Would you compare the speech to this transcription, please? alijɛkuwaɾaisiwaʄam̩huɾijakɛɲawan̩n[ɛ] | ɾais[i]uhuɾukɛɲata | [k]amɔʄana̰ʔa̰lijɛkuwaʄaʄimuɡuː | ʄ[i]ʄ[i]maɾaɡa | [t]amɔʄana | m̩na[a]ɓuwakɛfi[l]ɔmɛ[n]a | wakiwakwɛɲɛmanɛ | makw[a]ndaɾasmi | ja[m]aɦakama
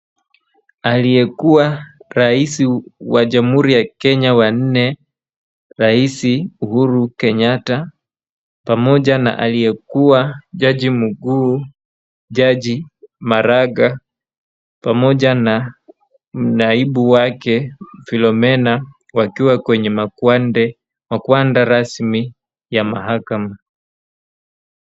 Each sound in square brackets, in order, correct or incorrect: correct, correct, incorrect: p, incorrect: a, correct, incorrect: p, incorrect: i, correct, correct, correct, correct

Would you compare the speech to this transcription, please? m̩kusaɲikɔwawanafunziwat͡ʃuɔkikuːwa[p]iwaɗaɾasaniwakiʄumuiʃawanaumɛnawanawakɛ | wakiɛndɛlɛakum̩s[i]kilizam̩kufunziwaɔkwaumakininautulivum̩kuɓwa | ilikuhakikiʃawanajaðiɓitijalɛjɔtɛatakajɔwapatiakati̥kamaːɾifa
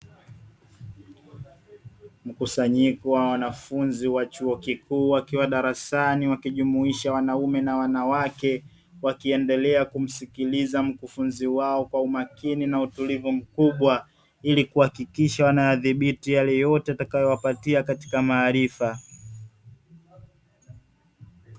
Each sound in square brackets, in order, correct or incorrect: incorrect: k, correct

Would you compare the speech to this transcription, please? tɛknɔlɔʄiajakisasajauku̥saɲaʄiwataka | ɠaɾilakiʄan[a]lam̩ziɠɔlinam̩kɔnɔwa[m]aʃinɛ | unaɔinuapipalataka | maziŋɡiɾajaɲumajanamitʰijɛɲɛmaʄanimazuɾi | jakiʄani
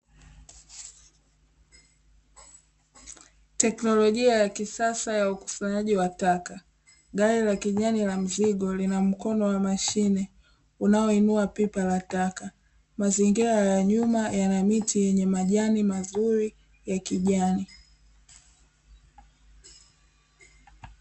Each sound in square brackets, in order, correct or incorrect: incorrect: i, correct

